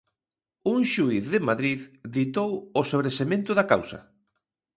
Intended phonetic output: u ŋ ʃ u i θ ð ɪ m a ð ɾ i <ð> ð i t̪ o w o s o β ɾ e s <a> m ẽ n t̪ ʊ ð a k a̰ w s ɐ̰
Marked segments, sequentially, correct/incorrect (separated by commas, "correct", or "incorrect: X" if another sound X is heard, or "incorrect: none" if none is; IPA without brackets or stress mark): correct, incorrect: e